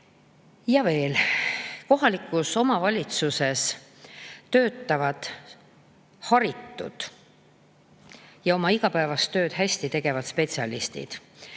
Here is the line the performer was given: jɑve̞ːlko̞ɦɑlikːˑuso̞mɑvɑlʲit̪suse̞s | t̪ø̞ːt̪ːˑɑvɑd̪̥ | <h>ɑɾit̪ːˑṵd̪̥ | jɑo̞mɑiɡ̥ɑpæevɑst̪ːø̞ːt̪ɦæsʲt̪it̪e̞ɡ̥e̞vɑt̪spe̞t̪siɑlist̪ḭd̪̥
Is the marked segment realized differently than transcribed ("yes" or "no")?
no